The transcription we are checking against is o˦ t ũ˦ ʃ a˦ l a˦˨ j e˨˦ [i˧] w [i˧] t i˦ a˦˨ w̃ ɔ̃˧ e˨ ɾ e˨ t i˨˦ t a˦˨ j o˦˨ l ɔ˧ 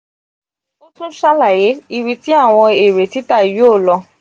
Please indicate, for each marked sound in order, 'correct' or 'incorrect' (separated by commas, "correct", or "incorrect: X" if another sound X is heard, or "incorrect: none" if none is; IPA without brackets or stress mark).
correct, correct